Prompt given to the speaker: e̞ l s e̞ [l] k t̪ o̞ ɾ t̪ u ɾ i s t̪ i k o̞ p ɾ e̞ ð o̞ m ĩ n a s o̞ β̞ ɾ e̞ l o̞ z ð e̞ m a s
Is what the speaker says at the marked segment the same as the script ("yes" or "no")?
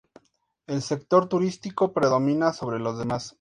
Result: no